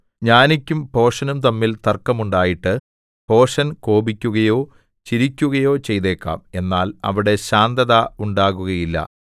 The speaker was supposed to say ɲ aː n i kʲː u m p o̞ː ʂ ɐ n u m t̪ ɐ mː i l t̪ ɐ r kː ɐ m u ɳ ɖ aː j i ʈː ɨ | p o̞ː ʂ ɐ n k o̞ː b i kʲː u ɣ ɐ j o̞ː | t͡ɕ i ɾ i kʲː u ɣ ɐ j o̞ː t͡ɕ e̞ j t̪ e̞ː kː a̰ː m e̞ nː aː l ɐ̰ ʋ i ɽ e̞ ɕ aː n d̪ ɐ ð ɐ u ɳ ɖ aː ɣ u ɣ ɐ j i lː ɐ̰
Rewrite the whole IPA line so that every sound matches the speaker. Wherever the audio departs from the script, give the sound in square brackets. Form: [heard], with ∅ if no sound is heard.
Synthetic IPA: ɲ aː n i kʲː u m p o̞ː ʂ ɐ n u m t̪ ɐ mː i l t̪ ɐ r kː ɐ m u ɳ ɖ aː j i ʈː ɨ | p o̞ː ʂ ɐ n k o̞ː b i kʲː u ɣ ɐ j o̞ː | t͡ɕ i ɾ i kʲː u ɣ ɐ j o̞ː t͡ɕ e̞ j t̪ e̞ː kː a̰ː m e̞ nː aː l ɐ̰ ʋ i ɽ e̞ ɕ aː n d̪ ɐ ð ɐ u ɳ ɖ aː ɣ u ɣ ɐ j i lː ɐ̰